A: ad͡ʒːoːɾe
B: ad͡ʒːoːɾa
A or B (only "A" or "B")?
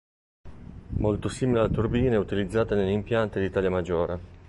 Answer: A